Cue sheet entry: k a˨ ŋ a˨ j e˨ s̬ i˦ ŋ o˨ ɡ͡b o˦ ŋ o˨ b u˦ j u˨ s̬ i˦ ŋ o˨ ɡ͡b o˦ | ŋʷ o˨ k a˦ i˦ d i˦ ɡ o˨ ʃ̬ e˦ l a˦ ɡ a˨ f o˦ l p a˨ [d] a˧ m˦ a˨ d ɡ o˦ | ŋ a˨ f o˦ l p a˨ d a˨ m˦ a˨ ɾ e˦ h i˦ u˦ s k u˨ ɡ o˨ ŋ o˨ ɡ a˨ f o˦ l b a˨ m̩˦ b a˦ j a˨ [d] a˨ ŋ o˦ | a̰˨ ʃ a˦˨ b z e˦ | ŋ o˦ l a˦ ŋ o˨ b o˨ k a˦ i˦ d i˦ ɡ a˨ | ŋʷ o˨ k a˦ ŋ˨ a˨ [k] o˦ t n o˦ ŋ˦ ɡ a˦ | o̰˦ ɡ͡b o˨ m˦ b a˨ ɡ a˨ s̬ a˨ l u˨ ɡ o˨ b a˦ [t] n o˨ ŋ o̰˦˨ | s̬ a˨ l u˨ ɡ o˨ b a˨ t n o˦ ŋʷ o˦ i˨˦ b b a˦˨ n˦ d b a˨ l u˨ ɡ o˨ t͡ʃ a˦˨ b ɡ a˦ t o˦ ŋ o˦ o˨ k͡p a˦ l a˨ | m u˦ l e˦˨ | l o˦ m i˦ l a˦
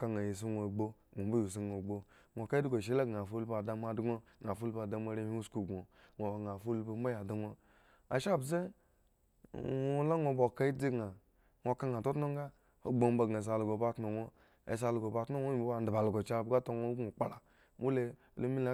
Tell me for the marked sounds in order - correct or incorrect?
correct, correct, incorrect, correct

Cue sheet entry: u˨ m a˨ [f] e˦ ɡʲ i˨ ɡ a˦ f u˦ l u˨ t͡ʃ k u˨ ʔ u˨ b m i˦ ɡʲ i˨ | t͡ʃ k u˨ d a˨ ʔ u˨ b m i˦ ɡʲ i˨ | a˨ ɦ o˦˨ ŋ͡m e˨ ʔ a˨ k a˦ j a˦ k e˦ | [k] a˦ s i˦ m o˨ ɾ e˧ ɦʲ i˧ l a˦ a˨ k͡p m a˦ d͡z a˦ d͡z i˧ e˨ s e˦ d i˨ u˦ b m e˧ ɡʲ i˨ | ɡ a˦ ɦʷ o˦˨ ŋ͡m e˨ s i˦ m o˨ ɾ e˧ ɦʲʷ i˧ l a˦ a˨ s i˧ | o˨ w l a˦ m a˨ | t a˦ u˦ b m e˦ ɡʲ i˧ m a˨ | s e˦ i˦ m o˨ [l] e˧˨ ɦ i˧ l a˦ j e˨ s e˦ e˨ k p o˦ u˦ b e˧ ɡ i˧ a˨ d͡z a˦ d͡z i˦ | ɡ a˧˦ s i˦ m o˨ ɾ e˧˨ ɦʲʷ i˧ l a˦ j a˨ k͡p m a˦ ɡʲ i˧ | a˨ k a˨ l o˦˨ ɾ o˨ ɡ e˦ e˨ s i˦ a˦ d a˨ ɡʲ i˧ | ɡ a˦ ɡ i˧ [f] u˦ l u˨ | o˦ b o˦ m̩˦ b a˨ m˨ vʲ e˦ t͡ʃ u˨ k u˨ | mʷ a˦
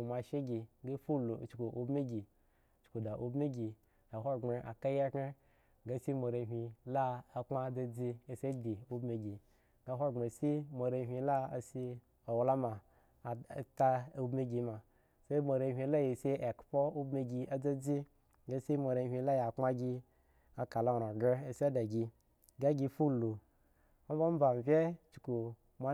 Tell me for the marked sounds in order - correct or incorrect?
incorrect, incorrect, incorrect, correct

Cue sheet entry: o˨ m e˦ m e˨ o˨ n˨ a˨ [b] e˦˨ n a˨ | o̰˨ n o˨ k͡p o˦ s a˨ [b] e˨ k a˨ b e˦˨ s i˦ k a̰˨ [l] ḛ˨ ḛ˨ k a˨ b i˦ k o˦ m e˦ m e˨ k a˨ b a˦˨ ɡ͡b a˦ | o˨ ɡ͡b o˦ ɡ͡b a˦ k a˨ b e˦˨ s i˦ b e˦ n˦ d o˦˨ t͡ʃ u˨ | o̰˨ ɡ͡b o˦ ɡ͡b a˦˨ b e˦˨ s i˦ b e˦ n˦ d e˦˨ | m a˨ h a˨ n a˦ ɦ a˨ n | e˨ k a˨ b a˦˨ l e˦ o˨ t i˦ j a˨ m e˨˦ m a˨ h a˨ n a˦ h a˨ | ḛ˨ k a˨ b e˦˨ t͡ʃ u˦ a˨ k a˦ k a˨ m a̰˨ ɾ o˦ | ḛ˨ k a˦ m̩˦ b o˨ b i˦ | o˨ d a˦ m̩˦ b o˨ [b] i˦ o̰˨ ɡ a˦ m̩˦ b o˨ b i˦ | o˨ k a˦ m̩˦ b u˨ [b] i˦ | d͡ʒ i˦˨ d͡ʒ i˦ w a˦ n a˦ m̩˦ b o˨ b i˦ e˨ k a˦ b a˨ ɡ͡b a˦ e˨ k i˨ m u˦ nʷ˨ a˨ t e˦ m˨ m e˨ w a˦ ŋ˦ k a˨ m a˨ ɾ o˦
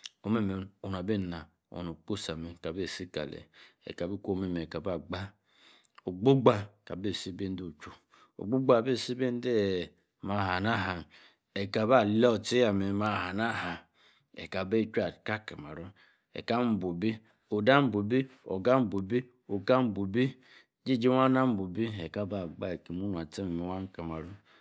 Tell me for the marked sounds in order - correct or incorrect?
correct, incorrect, correct, correct, correct

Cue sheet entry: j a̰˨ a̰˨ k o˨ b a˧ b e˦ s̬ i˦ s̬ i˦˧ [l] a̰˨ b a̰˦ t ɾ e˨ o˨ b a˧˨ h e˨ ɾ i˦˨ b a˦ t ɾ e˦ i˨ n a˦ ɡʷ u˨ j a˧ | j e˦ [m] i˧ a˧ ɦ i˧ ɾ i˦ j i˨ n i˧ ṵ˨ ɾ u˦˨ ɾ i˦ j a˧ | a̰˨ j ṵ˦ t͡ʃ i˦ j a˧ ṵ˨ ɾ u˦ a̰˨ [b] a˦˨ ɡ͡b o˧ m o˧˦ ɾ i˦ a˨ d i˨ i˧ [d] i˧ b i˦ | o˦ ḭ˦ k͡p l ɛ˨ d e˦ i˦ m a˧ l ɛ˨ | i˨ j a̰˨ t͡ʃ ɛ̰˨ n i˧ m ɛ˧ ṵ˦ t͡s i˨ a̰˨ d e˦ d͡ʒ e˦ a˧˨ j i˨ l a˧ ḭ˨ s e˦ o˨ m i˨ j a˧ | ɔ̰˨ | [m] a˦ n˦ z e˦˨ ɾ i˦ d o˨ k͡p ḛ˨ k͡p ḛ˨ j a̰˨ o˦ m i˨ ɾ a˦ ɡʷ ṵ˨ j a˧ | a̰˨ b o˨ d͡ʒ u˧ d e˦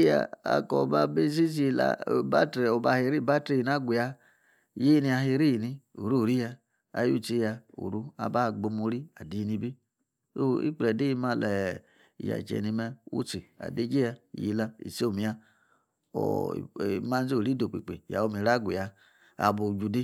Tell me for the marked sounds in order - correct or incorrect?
correct, incorrect, correct, incorrect, correct

